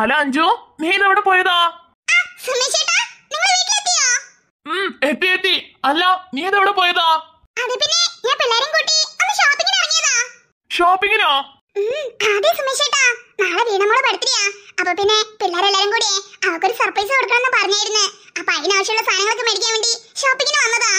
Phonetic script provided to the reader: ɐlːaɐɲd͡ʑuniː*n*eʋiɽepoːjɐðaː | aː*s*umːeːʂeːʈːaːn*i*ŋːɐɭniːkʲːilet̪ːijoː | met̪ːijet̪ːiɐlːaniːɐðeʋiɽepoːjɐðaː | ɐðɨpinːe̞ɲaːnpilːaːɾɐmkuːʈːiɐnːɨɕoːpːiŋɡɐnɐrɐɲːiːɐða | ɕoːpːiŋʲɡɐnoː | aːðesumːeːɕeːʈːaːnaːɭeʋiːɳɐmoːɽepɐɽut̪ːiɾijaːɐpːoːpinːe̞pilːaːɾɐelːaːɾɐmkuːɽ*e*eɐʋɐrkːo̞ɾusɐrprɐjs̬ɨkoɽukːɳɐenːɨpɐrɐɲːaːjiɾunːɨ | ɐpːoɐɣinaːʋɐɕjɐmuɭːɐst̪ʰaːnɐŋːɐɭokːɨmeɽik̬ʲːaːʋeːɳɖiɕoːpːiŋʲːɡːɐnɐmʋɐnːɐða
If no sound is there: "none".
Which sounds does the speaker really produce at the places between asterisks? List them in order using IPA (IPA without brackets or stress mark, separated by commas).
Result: n, s, i, i